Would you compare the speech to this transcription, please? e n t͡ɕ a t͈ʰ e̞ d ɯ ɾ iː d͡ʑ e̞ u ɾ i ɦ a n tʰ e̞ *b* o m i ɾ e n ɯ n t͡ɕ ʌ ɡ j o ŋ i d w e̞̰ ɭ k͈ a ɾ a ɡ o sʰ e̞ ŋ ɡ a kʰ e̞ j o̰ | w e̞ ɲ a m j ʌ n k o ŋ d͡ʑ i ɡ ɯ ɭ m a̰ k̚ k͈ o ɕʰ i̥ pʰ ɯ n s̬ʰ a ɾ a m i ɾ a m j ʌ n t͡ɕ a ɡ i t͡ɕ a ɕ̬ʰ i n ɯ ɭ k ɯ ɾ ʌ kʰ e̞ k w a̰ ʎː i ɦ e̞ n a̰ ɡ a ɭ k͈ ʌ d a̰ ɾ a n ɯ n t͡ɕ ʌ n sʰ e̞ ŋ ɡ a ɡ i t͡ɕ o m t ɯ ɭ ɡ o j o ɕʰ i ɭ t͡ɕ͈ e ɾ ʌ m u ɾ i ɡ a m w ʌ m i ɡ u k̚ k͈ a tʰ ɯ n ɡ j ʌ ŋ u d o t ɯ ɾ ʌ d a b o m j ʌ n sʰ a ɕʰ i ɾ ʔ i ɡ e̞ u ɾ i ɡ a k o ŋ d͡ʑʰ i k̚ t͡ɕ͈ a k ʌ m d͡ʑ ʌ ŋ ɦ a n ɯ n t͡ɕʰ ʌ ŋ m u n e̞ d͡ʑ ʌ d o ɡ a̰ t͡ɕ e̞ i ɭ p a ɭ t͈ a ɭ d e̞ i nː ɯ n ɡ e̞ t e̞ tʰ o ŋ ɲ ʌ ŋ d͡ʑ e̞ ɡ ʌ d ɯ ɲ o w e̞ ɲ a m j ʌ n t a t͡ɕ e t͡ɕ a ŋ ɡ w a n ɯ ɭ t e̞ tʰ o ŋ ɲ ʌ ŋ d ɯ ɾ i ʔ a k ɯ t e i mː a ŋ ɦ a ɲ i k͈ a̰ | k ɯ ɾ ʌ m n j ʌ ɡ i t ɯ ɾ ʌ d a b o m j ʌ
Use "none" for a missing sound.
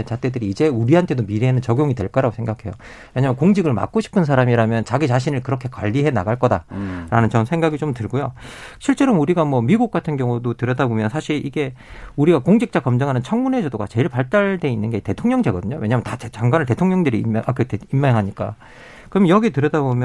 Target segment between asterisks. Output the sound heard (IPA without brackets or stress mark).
d